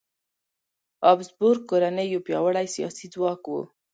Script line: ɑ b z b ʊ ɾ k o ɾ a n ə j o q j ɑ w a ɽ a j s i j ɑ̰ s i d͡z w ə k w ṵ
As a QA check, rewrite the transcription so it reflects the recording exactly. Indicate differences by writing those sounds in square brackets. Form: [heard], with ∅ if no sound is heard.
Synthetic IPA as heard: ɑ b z b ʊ ɾ k o ɾ a n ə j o [p] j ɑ w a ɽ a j s i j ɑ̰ s i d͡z w [ɑ] k w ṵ